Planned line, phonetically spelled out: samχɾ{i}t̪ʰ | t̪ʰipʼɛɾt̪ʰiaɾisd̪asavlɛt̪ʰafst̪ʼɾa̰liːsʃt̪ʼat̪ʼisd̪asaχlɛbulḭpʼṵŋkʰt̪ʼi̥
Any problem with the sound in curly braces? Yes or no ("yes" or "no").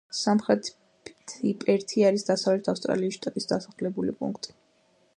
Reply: yes